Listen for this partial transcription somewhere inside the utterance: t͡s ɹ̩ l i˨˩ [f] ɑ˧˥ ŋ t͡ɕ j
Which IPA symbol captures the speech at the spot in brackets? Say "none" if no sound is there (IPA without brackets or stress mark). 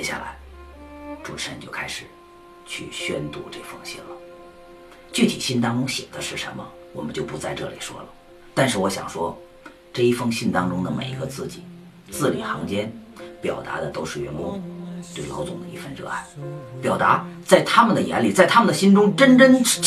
x